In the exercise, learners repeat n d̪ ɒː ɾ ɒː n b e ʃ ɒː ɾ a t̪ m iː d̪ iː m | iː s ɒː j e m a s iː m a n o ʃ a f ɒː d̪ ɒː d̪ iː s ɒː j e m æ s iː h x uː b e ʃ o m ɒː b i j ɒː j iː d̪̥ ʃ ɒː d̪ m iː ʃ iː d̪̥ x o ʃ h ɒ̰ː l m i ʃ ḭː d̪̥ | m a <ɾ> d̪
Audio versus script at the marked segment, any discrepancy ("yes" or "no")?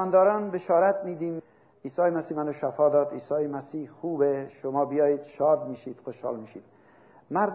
no